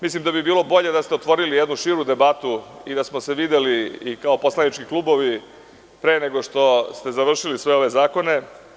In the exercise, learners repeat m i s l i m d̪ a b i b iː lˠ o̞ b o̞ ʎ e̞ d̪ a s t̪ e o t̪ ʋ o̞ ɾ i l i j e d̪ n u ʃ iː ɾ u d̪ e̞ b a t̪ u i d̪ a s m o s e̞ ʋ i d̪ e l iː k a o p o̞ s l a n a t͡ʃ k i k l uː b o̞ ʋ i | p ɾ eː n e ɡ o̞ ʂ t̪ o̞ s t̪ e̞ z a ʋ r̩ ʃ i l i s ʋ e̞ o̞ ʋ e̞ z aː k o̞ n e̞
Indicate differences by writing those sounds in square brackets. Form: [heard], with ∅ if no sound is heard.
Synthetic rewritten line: m i s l i m d̪ a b i b iː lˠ o̞ b o̞ ʎ e̞ d̪ a s t̪ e o t̪ ʋ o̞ ɾ i l i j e d̪ n u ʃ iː ɾ u d̪ e̞ b a t̪ u i d̪ a s m o s e̞ ʋ i d̪ e l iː k a o p o̞ s l a n [i] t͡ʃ k i k l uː b o̞ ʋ i | p ɾ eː n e ɡ o̞ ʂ t̪ o̞ s t̪ e̞ z a ʋ r̩ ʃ i l i s ʋ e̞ o̞ ʋ e̞ z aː k o̞ n e̞